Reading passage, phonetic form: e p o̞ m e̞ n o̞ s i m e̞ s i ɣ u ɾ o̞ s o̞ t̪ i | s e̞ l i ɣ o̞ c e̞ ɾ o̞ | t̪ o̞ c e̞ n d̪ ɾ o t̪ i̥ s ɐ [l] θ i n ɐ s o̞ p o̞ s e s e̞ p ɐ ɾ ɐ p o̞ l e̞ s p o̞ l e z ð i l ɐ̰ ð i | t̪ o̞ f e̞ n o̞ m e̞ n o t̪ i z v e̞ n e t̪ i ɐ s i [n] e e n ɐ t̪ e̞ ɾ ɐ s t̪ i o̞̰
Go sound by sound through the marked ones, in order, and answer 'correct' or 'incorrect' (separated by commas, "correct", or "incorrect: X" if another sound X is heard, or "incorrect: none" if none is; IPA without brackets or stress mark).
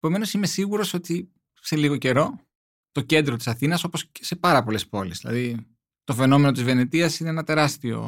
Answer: incorrect: none, correct